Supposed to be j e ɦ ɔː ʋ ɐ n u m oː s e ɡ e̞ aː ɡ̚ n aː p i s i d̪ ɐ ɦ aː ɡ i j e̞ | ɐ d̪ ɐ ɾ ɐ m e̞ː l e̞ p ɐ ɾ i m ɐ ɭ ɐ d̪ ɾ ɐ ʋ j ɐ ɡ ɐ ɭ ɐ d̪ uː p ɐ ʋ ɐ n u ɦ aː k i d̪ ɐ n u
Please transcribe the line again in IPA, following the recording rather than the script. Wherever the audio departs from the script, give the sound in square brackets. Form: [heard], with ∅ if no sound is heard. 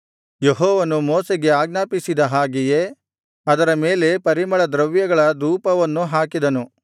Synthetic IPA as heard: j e ɦ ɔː ʋ ɐ n u m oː s e ɡ e̞ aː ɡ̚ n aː p i s i d̪ ɐ ɦ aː ɡ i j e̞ | ɐ d̪ ɐ ɾ ɐ m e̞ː l e̞ p ɐ ɾ i m ɐ ɭ ɐ d̪ ɾ ɐ ʋ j ɐ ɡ ɐ ɭ ɐ d̪ uː p ɐ ʋ ɐ [nː] u ɦ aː k i d̪ ɐ n u

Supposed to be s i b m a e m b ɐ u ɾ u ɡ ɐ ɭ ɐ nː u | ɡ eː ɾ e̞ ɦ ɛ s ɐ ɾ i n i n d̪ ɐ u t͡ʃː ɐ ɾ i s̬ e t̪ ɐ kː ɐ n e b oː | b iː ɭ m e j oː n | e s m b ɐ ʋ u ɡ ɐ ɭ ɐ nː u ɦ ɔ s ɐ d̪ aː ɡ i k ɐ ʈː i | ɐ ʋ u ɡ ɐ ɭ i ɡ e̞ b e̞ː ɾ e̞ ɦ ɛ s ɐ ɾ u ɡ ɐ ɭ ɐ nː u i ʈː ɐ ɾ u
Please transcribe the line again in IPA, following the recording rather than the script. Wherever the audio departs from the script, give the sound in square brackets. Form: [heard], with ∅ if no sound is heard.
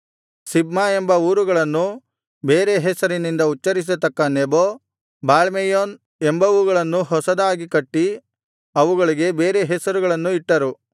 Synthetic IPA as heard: s i b m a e m b ɐ [uː] ɾ u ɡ ɐ ɭ ɐ nː u | [b] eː ɾ e̞ ɦ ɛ s ɐ ɾ i n i n d̪ ɐ u t͡ʃː ɐ ɾ i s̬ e t̪ ɐ kː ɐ n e b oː | b [aː] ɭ m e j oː n | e [∅] m b ɐ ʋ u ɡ ɐ ɭ ɐ nː u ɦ ɔ s ɐ d̪ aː ɡ i k ɐ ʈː i | ɐ ʋ u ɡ ɐ ɭ i ɡ e̞ b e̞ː ɾ e̞ ɦ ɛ s ɐ ɾ u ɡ ɐ ɭ ɐ nː u i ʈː ɐ ɾ u

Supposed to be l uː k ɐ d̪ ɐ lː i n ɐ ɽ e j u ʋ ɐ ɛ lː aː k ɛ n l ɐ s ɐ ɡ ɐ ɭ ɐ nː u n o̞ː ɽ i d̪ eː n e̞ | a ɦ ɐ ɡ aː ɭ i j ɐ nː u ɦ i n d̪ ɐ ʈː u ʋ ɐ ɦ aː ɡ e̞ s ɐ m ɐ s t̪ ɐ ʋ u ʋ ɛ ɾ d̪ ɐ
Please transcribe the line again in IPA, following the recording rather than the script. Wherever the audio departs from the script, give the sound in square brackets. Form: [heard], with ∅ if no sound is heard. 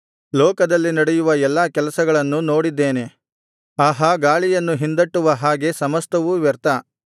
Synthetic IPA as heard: l [ɔː] k ɐ d̪ ɐ lː i n ɐ ɽ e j u ʋ ɐ ɛ lː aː k ɛ [∅] l ɐ s ɐ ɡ ɐ ɭ ɐ nː u n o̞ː ɽ i [d̪ː] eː n e̞ | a ɦ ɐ ɡ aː ɭ i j ɐ nː u ɦ i n d̪ ɐ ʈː u ʋ ɐ ɦ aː ɡ e̞ s ɐ m ɐ s t̪ ɐ ʋ u ʋ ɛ ɾ [t̪] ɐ

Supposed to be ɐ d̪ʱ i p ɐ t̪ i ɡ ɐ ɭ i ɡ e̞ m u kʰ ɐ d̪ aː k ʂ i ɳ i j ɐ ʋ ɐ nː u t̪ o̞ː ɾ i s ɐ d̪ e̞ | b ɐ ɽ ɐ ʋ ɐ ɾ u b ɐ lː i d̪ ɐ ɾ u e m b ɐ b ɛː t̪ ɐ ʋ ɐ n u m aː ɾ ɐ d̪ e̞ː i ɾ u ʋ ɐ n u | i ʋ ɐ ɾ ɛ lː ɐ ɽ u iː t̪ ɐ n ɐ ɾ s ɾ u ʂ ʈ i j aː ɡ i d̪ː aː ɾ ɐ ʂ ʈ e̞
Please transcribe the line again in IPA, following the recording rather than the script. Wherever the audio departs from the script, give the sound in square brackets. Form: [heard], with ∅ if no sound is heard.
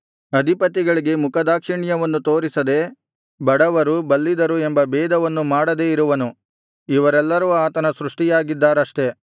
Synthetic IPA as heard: ɐ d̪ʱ i p ɐ t̪ i ɡ ɐ ɭ i ɡ e̞ m u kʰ ɐ d̪ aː k ʂ i ɳ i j ɐ ʋ ɐ nː u t̪ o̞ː ɾ i s ɐ d̪ e̞ | b ɐ ɽ ɐ ʋ ɐ ɾ u b ɐ lː i d̪ ɐ ɾ u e m b ɐ b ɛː [d̪] ɐ ʋ ɐ [nː] u m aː [ɽ] ɐ d̪ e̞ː i ɾ u ʋ ɐ n u | i ʋ ɐ ɾ ɛ lː ɐ [ɾ] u [aː] t̪ ɐ n ɐ [∅] s ɾ u ʂ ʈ i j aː ɡ i d̪ː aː ɾ ɐ ʂ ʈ e̞

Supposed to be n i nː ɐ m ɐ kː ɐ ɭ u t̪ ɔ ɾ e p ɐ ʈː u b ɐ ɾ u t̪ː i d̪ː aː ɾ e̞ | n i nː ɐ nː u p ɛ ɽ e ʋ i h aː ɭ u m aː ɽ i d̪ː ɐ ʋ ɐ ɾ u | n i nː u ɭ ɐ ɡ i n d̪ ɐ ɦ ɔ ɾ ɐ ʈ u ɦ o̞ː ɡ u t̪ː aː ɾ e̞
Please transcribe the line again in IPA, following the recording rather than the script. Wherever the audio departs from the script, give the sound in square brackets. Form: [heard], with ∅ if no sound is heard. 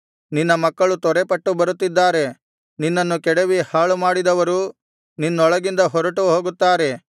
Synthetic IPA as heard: n i nː ɐ m ɐ kː ɐ ɭ u t̪ ɔ ɾ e p ɐ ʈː u b ɐ ɾ u t̪ː i d̪ː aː ɾ e̞ | n i nː ɐ nː u [k] ɛ ɽ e ʋ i h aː ɭ u m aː ɽ i [d̪] ɐ ʋ ɐ ɾ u | n i nː [ɔ] ɭ ɐ ɡ i n d̪ ɐ ɦ ɔ ɾ ɐ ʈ u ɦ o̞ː ɡ u t̪ː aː ɾ e̞

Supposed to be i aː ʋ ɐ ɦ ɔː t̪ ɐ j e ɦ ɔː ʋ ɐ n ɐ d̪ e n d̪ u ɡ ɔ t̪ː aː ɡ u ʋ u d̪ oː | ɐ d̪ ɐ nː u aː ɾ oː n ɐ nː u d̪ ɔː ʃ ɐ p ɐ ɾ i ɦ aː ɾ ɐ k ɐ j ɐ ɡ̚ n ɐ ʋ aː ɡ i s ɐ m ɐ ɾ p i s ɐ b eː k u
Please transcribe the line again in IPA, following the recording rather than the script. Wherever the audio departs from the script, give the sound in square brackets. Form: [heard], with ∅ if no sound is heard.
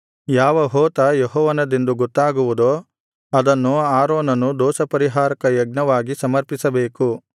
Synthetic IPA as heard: [j] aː ʋ ɐ ɦ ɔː t̪ ɐ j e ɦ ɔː ʋ ɐ n ɐ d̪ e n d̪ u ɡ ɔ t̪ː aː ɡ u ʋ u d̪ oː | ɐ d̪ ɐ nː u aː ɾ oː n ɐ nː u d̪ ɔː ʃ ɐ p ɐ ɾ i ɦ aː ɾ ɐ k ɐ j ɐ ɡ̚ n ɐ ʋ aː ɡ i s ɐ m ɐ ɾ p i s ɐ b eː k u

